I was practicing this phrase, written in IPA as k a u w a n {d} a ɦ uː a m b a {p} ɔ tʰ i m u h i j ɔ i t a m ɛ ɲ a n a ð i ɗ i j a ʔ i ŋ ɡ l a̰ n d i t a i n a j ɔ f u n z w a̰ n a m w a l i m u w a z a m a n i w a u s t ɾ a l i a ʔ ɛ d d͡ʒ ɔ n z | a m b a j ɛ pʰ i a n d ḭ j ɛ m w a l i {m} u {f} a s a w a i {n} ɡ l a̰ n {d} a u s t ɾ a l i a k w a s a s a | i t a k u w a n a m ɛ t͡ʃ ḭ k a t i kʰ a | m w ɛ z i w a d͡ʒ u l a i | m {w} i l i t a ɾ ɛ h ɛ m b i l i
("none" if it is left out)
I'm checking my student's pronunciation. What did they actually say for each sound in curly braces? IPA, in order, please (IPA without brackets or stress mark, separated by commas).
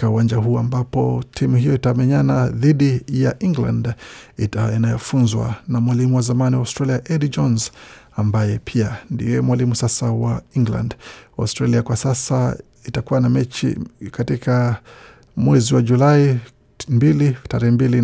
d͡ʒ, p, m, s, ŋ, d, b